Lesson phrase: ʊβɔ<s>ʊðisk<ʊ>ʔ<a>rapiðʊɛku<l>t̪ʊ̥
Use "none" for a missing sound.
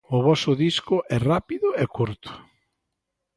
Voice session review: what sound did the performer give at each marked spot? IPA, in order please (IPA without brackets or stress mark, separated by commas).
s, ʊ, ɛ, ɾ